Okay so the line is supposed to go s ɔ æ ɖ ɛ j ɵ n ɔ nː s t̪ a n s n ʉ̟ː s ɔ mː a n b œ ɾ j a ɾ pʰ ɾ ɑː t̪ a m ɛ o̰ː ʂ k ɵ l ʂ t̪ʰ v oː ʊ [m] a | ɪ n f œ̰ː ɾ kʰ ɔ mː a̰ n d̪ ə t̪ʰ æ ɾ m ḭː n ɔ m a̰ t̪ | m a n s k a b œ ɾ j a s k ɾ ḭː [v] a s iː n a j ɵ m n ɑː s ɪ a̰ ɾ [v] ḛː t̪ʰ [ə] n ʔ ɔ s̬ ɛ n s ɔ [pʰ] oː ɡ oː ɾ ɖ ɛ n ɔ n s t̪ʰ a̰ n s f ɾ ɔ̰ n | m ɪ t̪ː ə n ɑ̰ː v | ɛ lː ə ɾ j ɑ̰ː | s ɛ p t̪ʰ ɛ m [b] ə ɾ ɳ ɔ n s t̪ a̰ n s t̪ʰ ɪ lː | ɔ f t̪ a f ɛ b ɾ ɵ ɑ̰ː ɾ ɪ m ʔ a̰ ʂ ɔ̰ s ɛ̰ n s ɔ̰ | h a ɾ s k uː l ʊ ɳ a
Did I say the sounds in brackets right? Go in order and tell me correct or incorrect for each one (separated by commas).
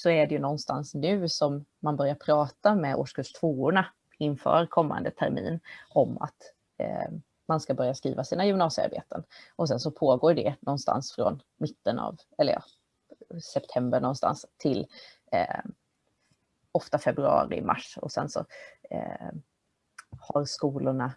incorrect, correct, incorrect, correct, correct, correct